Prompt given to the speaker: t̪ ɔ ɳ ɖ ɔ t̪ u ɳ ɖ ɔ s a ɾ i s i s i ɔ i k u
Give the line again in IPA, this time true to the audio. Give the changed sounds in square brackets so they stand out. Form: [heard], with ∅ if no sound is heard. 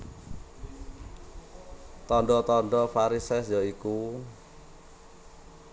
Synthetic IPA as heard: t̪ ɔ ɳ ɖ ɔ t̪ [ɔ] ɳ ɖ ɔ [f] a ɾ i s [ɛ] s [j] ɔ i k u

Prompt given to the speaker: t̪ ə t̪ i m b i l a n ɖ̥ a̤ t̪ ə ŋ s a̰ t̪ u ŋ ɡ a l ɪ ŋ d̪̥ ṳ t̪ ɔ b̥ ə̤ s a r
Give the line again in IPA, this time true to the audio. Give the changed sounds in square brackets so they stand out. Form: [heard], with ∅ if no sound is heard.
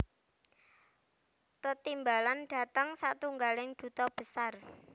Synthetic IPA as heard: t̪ ə t̪ i m b [a] l a n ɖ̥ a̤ t̪ ə ŋ s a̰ t̪ u ŋ ɡ a l ɪ ŋ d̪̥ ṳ t̪ ɔ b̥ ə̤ s a r

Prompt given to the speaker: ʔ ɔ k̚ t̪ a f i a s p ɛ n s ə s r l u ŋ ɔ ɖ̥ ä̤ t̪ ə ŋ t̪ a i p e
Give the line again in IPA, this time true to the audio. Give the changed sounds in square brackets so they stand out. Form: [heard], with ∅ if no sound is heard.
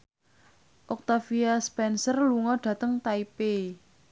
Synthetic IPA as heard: ʔ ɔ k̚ t̪ a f i a s p ɛ n s ə [∅] r l u ŋ ɔ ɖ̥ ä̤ t̪ ə ŋ t̪ a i p e

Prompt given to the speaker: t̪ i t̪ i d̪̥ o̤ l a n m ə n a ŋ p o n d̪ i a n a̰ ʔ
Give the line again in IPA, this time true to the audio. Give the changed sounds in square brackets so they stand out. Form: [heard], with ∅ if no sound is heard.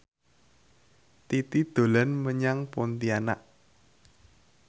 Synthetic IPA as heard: t̪ i t̪ i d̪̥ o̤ l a n m ə [ɲ] a ŋ p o n [t̪] i a n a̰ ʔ

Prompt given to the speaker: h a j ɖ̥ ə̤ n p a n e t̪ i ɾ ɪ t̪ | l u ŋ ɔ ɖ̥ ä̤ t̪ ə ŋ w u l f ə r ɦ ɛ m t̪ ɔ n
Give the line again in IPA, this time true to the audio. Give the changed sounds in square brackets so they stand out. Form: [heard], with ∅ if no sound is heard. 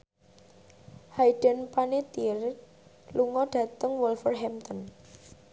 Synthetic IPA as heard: h a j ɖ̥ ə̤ n p a n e t̪ i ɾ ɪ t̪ | l u ŋ ɔ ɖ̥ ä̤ t̪ ə ŋ w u l f ə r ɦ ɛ m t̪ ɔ n

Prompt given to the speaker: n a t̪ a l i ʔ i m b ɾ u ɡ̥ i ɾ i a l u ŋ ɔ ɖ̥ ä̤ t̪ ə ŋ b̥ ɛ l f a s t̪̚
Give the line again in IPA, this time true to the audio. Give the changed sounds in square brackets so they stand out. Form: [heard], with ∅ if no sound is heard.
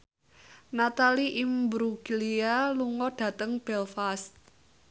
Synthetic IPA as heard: n a t̪ a l i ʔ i m b ɾ u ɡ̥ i [l] i a l u ŋ ɔ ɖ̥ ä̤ t̪ ə ŋ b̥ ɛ l f a s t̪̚

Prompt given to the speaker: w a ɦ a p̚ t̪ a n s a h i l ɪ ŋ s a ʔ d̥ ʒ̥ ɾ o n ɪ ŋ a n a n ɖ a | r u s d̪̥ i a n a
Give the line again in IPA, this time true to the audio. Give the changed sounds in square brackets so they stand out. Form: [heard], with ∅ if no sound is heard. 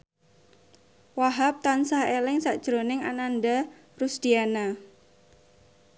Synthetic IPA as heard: w a ɦ a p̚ t̪ a n s a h [e] l ɪ ŋ s a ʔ d̥ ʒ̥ ɾ o n ɪ ŋ a n a n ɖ a | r u s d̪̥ i a n a

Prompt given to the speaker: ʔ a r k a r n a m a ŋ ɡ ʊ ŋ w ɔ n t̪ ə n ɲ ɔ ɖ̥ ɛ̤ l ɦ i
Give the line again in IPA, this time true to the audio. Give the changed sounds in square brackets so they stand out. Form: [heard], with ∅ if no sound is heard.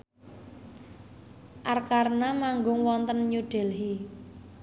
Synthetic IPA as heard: ʔ a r k a r n a m a ŋ ɡ ʊ ŋ w ɔ n t̪ ə n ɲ [u] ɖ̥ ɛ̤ l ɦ i

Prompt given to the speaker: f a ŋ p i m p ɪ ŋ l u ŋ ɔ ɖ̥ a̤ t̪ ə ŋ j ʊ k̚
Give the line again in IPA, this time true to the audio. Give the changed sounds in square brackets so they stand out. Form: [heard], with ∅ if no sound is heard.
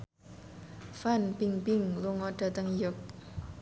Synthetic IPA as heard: f a [n] p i [ŋ] p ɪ ŋ l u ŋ ɔ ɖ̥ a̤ t̪ ə ŋ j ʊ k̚

